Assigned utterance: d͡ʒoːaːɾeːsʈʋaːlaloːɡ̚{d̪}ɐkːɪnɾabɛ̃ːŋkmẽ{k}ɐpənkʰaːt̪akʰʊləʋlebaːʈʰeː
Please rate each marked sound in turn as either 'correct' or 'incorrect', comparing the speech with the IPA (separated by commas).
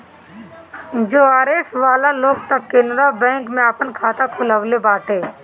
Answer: incorrect, incorrect